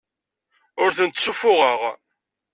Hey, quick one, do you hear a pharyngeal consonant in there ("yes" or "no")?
no